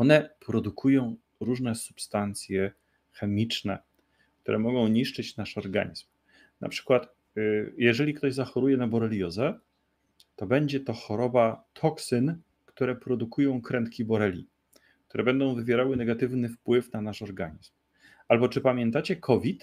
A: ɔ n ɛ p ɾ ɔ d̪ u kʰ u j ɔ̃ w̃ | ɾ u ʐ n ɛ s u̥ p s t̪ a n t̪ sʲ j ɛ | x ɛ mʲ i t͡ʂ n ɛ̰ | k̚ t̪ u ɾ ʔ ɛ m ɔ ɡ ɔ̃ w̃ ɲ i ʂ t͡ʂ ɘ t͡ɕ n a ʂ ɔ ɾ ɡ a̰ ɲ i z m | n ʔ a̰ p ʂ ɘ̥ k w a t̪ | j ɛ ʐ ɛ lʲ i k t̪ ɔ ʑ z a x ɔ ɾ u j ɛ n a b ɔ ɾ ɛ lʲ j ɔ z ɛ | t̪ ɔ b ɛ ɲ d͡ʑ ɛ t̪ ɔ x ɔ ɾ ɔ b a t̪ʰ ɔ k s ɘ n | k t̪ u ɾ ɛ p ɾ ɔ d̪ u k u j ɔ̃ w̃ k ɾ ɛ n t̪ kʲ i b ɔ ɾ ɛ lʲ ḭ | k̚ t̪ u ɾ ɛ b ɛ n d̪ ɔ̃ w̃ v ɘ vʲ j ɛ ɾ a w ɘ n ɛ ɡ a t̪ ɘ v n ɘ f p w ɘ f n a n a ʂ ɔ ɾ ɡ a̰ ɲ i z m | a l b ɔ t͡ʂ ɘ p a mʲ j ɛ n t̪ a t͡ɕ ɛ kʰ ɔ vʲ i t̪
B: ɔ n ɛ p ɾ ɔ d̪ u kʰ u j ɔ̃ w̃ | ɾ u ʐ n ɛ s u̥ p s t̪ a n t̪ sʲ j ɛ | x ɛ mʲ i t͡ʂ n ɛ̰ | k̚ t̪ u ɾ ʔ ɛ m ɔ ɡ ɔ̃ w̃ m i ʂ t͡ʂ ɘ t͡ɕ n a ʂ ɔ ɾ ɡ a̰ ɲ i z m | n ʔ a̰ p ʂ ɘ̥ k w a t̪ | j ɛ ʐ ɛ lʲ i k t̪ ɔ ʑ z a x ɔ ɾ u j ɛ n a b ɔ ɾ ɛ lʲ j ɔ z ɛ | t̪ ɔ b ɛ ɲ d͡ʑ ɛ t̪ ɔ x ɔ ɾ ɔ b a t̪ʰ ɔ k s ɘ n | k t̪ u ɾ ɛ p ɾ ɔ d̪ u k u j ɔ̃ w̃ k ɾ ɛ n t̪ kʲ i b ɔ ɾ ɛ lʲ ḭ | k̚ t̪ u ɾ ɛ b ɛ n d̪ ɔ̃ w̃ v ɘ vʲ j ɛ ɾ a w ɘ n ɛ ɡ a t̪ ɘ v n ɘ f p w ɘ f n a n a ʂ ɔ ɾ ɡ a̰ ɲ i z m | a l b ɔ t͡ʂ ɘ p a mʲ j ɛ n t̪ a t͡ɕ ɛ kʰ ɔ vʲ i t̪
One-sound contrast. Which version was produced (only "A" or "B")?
A